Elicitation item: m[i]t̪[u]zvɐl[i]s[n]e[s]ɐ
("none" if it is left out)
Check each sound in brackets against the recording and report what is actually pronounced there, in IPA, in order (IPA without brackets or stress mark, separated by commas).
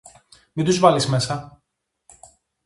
i, u, i, m, s